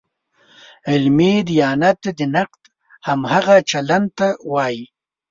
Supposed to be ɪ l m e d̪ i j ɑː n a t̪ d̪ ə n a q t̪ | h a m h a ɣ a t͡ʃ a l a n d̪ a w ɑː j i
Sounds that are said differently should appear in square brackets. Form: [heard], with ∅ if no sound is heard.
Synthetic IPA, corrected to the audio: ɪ l m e d̪ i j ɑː n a t̪ d̪ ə n a q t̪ | h a m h a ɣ a t͡ʃ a l a n [t̪] a w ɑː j i